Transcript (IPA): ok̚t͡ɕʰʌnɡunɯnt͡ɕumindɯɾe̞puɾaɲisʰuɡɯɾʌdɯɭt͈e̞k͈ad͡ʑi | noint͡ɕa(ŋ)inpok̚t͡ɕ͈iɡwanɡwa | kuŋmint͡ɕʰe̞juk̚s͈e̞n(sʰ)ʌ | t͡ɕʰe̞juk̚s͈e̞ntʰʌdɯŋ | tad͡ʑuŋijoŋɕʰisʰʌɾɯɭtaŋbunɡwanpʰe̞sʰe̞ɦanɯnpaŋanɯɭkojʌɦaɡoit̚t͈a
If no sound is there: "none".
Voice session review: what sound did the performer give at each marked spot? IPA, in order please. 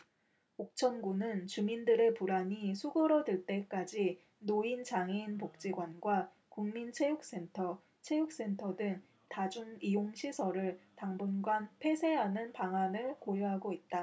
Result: ŋ, tʰ

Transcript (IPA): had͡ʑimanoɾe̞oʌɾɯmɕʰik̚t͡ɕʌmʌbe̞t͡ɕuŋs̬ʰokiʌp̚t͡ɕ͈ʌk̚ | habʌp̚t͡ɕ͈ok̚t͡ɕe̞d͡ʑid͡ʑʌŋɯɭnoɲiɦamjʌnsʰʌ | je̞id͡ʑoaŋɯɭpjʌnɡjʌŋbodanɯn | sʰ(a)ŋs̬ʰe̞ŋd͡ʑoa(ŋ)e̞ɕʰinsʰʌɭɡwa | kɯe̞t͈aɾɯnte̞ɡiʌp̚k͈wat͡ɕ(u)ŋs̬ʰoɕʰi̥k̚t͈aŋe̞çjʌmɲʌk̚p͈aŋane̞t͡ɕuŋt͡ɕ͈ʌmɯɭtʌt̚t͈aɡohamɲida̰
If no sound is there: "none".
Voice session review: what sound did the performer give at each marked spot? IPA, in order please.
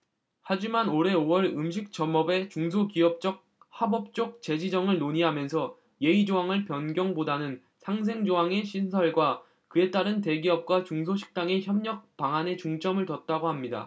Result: a, ŋ, u

